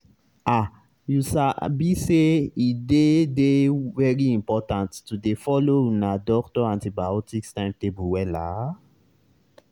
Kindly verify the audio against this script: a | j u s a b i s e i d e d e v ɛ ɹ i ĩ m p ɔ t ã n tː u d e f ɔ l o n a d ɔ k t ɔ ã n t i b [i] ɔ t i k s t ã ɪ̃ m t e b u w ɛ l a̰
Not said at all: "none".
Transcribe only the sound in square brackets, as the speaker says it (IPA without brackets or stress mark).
a